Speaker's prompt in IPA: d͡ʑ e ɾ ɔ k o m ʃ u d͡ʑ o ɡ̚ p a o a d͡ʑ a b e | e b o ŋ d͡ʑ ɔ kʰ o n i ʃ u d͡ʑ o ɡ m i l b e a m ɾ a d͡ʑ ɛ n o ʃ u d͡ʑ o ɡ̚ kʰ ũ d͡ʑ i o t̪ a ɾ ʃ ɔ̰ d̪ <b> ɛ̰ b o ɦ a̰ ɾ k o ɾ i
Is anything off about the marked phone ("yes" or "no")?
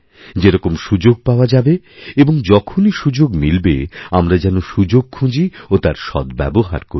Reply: no